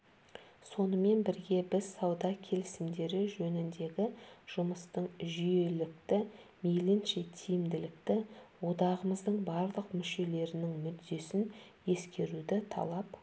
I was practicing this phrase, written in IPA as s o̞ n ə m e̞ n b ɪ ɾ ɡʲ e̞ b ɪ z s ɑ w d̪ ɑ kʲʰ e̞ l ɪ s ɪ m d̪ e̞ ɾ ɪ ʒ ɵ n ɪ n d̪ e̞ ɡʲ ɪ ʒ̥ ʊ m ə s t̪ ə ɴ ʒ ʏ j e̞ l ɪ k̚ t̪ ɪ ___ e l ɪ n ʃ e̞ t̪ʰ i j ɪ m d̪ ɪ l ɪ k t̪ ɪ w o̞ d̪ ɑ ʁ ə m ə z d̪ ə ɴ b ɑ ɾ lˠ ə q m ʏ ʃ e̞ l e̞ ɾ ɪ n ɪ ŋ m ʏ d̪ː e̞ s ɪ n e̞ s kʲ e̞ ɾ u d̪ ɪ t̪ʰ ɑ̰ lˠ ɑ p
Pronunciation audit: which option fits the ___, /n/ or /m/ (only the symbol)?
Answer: m